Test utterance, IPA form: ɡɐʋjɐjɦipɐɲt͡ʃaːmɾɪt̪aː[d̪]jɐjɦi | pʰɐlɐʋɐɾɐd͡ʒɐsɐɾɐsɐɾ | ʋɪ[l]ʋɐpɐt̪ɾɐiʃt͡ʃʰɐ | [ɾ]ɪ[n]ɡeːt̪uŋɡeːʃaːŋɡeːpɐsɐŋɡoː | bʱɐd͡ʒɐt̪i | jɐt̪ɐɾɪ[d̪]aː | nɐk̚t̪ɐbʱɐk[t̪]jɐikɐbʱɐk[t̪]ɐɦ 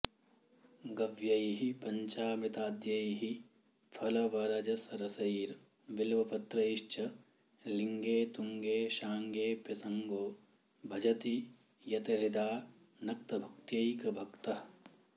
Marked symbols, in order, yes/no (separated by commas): yes, yes, no, no, yes, yes, yes